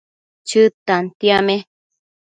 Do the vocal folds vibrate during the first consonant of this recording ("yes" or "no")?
no